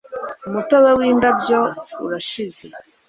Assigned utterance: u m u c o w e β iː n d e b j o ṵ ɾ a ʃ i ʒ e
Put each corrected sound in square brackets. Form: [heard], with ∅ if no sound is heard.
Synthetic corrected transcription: u m u [t] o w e [w] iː n d [a] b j o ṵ ɾ a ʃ i [z] e